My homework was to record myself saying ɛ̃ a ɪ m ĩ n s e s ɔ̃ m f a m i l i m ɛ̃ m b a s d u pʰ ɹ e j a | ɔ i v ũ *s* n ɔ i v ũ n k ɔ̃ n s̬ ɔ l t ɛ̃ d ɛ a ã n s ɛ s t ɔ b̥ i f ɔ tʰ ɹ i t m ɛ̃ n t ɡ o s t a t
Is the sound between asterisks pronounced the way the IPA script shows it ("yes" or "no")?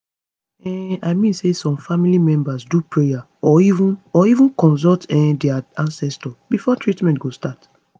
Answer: no